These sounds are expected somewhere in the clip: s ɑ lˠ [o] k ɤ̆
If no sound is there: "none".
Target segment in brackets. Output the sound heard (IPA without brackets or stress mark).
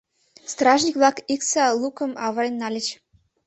u